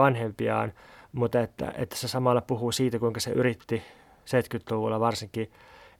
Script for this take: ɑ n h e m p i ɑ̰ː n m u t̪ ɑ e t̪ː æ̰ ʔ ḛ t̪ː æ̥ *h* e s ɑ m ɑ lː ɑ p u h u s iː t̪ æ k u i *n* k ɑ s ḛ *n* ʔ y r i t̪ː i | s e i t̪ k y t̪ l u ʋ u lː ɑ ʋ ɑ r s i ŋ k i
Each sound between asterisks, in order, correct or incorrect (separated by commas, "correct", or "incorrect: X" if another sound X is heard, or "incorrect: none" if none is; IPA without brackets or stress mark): incorrect: s, incorrect: ŋ, incorrect: none